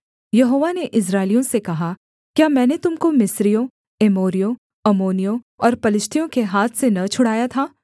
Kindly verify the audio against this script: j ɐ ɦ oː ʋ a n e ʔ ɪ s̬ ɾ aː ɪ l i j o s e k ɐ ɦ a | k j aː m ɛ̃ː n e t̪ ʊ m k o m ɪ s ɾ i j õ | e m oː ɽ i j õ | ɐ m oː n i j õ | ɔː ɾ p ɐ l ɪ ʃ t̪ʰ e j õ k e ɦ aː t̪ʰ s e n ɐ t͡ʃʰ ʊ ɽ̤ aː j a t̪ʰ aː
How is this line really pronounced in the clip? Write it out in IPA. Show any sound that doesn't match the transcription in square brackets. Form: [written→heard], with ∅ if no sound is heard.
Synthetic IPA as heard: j ɐ ɦ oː ʋ a n e ʔ ɪ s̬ ɾ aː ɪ l i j [o→õ] s e k ɐ ɦ a | k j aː m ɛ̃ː n e t̪ ʊ m k o m ɪ s ɾ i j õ | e m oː [ɽ→ɾ] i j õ | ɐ m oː n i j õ | ɔː ɾ p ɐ l ɪ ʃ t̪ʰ [e→i] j õ k e ɦ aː t̪ʰ s e n ɐ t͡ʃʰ ʊ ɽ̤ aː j a t̪ʰ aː